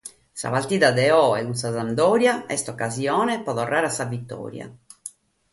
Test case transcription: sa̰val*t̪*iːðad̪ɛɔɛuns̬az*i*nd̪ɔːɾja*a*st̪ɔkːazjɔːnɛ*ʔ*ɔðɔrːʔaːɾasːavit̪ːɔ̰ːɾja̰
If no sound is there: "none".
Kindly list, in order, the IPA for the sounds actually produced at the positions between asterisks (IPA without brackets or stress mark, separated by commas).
t̪, a, ɛ, p